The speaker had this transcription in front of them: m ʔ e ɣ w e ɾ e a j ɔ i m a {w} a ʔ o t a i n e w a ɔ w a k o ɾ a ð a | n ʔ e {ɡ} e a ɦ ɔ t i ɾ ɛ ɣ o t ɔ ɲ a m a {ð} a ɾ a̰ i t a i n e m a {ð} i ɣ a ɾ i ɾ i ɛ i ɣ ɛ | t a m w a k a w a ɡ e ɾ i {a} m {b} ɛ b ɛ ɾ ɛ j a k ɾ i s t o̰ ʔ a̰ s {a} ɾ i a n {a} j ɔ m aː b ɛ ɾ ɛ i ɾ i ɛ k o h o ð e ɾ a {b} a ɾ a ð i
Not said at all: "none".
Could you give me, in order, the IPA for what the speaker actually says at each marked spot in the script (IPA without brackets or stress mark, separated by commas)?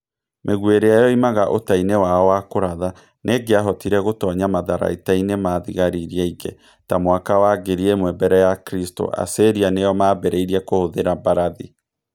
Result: ɣ, ɡ, ð, ð, e, w, e, e, b